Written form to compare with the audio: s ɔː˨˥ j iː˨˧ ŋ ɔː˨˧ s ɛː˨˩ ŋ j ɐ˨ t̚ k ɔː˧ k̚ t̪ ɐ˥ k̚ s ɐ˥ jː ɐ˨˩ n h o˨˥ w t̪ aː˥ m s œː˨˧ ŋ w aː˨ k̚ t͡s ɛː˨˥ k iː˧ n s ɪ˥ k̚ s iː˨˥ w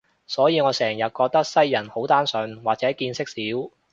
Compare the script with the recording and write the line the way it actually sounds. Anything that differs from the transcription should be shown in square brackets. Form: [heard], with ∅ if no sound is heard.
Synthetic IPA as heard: s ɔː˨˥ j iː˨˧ ŋ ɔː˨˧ s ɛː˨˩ ŋ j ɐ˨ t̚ k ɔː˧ k̚ t̪ ɐ˥ k̚ s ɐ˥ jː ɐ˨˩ n h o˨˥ w t̪ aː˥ [n] s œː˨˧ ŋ w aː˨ k̚ t͡s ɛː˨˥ k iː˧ n s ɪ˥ k̚ s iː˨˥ w